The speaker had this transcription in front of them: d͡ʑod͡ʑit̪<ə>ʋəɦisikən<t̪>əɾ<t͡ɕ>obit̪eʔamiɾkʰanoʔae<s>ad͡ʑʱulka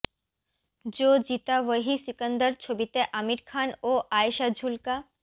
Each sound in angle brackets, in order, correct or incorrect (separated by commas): incorrect, incorrect, incorrect, incorrect